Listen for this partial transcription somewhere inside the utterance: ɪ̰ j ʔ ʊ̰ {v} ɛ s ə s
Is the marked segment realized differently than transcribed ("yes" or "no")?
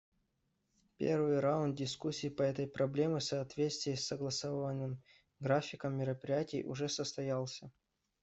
yes